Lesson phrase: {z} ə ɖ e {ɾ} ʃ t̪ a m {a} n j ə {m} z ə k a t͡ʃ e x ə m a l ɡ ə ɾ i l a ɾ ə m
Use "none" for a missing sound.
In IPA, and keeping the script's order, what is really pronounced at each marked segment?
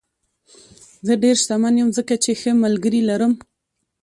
z, ɾ, a, m

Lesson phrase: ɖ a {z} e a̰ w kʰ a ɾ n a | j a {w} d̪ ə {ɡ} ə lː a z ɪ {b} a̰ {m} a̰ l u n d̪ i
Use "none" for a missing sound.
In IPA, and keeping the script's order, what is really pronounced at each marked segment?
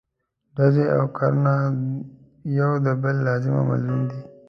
z, w, b, m, m

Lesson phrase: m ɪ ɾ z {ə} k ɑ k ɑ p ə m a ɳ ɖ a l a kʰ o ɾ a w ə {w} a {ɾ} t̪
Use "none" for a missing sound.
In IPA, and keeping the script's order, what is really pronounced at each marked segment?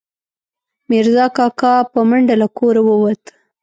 ɑ, w, none

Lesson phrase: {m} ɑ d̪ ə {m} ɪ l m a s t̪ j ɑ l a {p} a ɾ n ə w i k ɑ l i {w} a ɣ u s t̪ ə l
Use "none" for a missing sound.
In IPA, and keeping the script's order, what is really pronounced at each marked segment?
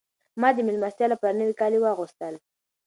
m, m, p, w

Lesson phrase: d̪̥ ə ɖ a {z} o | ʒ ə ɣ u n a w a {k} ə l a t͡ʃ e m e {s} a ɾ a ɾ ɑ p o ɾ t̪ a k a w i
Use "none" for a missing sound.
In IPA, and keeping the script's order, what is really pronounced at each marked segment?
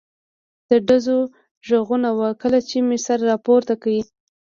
z, k, s

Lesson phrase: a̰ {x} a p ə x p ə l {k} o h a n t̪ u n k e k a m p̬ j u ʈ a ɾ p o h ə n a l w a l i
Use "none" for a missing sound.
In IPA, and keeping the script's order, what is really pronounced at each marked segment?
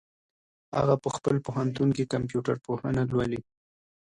ɣ, p

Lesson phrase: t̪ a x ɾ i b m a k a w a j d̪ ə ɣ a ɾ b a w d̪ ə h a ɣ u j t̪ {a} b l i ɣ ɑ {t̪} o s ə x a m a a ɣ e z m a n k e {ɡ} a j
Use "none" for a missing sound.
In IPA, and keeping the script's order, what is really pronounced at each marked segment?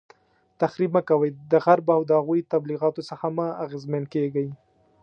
a, t̪, ɡ

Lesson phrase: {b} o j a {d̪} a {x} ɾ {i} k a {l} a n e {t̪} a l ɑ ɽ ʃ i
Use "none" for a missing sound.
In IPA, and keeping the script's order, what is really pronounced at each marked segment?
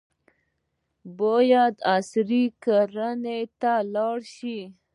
b, d̪, s, i, ɾ, t̪

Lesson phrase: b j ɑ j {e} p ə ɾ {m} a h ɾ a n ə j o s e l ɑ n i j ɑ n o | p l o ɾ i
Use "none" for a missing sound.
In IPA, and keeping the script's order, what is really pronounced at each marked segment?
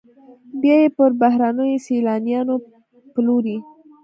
e, b

